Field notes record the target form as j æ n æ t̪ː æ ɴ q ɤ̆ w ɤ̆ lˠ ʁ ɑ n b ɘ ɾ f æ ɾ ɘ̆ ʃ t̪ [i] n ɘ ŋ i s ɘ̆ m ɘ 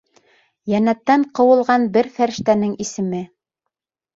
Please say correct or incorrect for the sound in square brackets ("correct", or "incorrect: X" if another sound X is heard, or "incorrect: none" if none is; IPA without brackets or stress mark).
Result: incorrect: æ